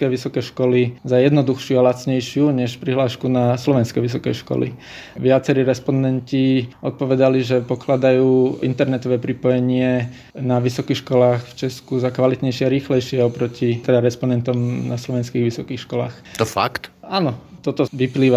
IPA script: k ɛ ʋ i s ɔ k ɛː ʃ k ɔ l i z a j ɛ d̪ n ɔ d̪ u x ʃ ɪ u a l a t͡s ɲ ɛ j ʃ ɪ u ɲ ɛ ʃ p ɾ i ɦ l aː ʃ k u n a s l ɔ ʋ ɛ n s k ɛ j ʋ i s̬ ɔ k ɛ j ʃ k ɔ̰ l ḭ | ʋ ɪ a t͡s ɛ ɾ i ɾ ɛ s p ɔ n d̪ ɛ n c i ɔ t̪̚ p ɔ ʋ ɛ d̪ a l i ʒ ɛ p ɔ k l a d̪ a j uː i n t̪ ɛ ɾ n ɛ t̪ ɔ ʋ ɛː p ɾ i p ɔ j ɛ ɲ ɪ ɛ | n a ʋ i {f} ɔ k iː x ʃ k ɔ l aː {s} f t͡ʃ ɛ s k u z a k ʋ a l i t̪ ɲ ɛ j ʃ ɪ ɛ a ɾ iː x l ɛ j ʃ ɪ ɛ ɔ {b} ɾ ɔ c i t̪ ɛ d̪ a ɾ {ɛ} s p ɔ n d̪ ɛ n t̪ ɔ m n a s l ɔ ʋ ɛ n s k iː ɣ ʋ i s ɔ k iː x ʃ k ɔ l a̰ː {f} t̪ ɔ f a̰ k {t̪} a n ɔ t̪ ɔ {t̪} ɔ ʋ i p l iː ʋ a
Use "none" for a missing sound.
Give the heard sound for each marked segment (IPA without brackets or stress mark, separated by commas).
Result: s, x, p, ɛ, x, t̪, t̪